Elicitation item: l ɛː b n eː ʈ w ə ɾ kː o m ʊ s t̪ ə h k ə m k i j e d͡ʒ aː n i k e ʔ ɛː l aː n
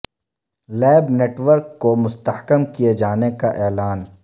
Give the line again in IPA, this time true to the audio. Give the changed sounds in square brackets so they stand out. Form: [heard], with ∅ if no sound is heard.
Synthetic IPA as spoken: l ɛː b n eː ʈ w ə ɾ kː o m ʊ s t̪ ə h k ə m k i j e d͡ʒ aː n [e] k [a] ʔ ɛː l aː n